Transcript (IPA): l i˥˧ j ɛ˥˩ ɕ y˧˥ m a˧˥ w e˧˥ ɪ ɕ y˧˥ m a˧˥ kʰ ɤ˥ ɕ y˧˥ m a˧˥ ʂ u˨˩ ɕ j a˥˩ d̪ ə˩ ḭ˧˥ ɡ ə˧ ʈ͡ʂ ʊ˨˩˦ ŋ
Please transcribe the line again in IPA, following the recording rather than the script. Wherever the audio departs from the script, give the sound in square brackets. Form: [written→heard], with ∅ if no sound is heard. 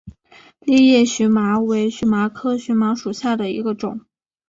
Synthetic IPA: l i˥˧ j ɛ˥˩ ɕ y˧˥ m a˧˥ w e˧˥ ɪ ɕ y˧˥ m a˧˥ kʰ ɤ˥ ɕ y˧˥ m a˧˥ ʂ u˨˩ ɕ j a˥˩ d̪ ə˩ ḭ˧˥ ɡ ə˧ ʈ͡ʂ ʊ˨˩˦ ŋ